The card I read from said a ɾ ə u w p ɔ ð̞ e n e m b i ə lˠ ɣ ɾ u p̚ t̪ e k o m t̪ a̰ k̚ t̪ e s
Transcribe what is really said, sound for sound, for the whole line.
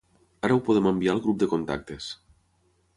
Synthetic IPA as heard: a ɾ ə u w p o ð̞ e m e m b i a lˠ ɣ ɾ u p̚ d̪ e k o n t̪ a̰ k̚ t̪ e s